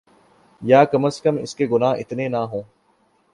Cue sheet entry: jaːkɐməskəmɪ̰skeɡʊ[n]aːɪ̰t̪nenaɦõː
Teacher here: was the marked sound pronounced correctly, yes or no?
yes